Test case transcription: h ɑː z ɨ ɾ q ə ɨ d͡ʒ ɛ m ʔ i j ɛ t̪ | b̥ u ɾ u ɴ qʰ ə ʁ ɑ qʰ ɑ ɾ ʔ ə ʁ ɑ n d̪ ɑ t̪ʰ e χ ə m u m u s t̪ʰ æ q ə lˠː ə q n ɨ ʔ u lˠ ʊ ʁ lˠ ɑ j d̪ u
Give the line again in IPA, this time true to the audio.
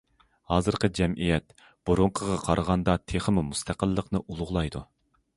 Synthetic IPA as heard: h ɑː z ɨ ɾ q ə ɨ d͡ʒ ɛ m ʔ i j ɛ t̪ | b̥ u ɾ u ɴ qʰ ə ʁ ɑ qʰ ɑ ɾ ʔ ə ʁ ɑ n d̪ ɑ t̪ʰ e χ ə m u m u s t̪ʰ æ q ə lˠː ə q n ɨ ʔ u lˠ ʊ ʁ lˠ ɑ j d̪ u